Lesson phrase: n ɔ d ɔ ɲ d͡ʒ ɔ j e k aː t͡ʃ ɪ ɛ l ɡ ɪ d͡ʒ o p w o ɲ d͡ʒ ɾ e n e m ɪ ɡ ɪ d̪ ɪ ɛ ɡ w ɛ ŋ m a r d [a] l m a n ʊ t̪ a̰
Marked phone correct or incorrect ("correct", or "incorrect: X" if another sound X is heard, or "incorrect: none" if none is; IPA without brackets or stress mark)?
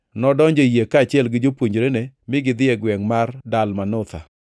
correct